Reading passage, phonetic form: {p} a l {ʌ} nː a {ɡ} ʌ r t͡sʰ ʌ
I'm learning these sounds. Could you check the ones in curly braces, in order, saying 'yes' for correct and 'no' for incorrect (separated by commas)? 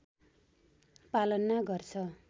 yes, yes, yes